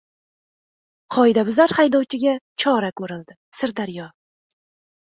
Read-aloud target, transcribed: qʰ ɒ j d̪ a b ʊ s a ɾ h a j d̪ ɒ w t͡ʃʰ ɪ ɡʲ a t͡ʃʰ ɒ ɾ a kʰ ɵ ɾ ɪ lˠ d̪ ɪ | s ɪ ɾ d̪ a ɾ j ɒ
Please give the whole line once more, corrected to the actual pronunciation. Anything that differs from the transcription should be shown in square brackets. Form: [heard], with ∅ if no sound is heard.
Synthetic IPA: qʰ ɒ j d̪ a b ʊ [z] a ɾ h a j d̪ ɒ w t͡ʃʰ ɪ ɡʲ a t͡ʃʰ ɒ ɾ a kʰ ɵ ɾ ɪ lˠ d̪ ɪ | s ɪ ɾ d̪ a ɾ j ɒ